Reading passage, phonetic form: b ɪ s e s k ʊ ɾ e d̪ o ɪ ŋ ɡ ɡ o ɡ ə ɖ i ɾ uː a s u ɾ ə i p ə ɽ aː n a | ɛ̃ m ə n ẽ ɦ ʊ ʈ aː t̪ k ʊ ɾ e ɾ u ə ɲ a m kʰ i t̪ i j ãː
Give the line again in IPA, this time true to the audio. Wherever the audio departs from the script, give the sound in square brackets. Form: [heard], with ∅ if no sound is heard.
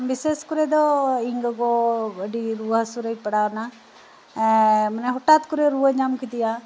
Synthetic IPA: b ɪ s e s k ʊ ɾ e d̪ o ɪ ŋ ɡ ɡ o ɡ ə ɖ i ɾ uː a s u ɾ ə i p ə ɽ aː n a | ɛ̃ m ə n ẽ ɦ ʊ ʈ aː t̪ k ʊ ɾ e ɾ u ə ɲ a m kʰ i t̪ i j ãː